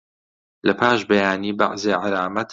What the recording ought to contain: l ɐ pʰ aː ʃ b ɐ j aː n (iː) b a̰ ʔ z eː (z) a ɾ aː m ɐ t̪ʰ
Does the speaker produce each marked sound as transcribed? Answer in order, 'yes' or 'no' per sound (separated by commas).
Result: yes, no